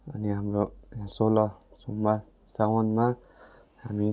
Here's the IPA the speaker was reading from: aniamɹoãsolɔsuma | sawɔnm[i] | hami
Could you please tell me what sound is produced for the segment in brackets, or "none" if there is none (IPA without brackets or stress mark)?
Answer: a